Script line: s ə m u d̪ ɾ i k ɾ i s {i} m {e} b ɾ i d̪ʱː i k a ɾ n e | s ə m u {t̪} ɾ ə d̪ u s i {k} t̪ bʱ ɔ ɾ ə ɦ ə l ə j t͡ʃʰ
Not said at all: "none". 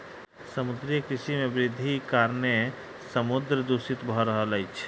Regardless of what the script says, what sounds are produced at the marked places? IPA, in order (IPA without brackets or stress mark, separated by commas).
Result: i, e, d̪, none